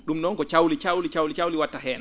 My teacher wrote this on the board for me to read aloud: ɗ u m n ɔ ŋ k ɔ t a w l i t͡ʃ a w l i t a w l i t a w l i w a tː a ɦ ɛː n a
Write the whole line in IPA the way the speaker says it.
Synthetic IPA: ɗ u m n ɔ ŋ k ɔ t͡ʃ a w l i t͡ʃ a w l i t͡ʃ a w l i t͡ʃ a w l i w a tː a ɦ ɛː n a